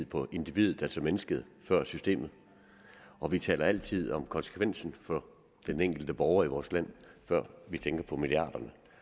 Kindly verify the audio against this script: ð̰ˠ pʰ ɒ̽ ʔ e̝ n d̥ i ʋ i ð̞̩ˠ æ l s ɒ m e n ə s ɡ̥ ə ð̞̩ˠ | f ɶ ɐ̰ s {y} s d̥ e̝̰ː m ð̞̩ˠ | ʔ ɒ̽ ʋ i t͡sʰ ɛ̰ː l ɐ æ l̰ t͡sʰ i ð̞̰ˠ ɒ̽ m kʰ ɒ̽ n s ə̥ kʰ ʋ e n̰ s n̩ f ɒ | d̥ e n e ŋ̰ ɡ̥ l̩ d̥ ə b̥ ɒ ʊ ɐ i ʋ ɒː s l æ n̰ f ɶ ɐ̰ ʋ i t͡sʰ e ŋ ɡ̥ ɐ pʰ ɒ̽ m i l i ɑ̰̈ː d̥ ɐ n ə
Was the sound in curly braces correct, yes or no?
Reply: yes